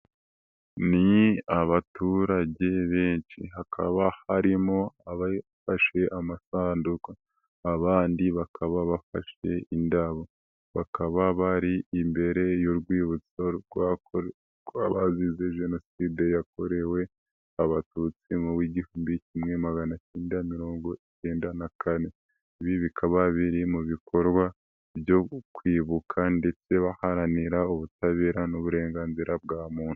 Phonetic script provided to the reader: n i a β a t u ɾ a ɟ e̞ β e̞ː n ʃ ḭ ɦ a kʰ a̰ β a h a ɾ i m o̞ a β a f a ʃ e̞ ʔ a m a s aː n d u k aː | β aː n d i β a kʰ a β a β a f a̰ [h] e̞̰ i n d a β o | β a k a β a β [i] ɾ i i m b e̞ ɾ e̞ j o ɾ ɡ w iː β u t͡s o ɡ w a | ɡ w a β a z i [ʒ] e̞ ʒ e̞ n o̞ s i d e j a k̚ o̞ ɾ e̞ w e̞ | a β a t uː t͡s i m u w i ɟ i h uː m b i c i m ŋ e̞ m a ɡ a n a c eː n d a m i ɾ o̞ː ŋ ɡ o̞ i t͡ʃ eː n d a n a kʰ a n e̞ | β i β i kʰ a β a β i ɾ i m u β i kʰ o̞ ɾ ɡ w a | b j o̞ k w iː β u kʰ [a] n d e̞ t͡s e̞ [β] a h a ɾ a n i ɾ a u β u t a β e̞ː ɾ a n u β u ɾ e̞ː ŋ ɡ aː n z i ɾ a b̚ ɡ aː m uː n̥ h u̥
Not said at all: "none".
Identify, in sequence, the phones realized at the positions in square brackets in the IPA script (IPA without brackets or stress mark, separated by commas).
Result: ʃ, a, z, a, β